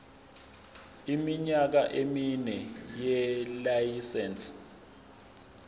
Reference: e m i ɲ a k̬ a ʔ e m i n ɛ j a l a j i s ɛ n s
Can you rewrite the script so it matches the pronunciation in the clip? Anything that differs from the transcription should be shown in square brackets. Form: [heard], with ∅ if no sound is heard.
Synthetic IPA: [i] m i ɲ a k̬ a ʔ e m i n ɛ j [ɛ] l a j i s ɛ n s